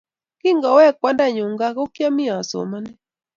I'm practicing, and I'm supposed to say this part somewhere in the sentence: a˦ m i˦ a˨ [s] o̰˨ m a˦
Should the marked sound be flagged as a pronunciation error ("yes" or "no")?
no